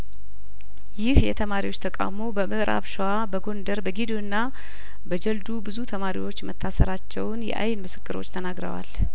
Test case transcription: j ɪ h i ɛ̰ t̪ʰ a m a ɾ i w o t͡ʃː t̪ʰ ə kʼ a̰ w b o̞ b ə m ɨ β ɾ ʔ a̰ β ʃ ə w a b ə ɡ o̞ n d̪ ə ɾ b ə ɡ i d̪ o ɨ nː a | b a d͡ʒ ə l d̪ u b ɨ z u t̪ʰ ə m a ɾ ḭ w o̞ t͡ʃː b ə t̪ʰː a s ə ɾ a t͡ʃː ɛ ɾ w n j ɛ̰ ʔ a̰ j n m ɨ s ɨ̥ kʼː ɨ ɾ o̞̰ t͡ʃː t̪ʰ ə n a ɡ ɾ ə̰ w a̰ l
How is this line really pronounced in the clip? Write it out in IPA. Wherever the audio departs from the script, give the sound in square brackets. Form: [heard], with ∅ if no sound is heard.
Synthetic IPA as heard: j ɪ h [j] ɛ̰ t̪ʰ [ə] m a ɾ i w o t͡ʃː t̪ʰ ə kʼ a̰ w [m] o̞ b ə m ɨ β ɾ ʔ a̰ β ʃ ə w a b ə ɡ o̞ n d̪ ə ɾ b ə ɡ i d̪ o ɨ nː a | b [ə] d͡ʒ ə l d̪ u b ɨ z u t̪ʰ ə m a ɾ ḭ w o̞ t͡ʃː [m] ə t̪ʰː a s ə ɾ a t͡ʃː ɛ [∅] w n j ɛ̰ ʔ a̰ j n m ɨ s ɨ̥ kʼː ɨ ɾ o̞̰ t͡ʃː t̪ʰ ə n a ɡ ɾ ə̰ w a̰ l